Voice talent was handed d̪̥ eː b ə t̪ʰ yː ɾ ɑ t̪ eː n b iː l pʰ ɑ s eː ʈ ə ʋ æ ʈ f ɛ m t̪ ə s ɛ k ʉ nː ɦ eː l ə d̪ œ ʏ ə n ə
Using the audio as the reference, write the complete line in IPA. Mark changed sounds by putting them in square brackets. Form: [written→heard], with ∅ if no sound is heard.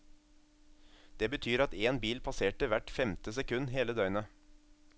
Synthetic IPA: d̪̥ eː b ə t̪ʰ yː ɾ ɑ t̪ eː n b iː l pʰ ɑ s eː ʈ ə ʋ æ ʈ f ɛ m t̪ ə s ɛ k ʉ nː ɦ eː l ə d̪ œ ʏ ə n ə